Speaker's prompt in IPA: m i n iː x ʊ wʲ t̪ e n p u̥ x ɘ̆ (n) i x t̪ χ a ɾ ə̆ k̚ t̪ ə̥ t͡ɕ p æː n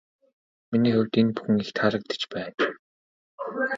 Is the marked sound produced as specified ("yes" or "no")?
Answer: no